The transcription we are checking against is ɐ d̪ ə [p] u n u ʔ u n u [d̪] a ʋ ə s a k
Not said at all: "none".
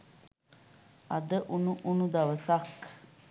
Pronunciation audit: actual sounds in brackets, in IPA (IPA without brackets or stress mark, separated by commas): ʔ, d̪